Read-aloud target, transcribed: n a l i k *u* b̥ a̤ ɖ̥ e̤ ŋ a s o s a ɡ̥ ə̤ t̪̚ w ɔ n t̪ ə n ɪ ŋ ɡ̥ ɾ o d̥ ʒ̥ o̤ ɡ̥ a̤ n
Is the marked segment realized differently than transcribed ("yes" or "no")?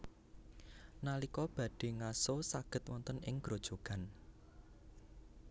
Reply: yes